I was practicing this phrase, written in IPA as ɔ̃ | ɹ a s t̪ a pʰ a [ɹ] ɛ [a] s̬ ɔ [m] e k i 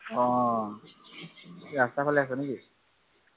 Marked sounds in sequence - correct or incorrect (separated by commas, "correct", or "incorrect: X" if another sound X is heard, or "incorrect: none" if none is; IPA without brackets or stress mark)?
incorrect: l, correct, incorrect: n